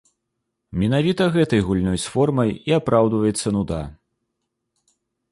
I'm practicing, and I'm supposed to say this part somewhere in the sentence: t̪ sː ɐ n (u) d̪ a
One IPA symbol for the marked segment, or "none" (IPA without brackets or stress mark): u